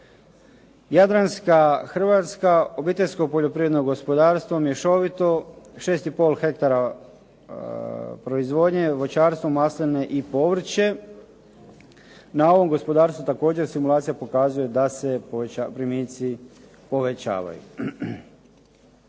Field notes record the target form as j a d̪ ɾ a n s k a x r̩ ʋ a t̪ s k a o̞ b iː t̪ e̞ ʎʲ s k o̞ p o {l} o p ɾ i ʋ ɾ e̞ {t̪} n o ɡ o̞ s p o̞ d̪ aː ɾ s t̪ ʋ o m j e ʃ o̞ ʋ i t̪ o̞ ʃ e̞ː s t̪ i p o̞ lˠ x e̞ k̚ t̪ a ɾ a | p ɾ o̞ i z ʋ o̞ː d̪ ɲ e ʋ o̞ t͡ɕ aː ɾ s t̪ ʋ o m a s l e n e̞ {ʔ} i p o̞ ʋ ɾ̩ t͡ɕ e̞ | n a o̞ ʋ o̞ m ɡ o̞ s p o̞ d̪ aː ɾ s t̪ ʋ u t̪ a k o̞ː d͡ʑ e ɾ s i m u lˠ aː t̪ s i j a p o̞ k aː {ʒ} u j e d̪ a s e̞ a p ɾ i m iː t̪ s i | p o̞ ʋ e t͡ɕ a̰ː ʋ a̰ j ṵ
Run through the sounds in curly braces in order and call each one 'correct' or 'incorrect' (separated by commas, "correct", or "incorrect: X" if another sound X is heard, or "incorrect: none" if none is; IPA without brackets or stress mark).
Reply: incorrect: ʎ, incorrect: d̪, correct, incorrect: z